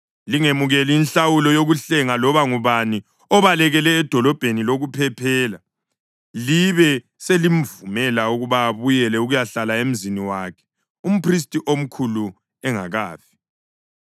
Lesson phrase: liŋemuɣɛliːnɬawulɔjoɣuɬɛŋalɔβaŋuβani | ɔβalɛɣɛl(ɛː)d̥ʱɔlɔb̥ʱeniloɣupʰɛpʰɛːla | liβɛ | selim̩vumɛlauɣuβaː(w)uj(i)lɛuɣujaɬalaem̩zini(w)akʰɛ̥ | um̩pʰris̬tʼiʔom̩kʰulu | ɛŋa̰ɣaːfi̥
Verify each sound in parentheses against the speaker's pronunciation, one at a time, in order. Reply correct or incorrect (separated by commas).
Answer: correct, incorrect, incorrect, correct